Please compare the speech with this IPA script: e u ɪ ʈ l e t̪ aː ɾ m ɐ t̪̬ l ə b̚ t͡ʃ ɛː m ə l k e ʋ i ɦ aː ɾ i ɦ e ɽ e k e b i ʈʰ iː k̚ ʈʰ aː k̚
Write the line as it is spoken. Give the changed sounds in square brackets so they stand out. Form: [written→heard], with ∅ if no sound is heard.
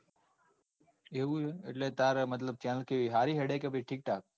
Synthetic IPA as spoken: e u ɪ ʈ l e t̪ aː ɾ m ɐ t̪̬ l ə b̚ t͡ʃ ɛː [m→n] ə l k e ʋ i ɦ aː ɾ i ɦ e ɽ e k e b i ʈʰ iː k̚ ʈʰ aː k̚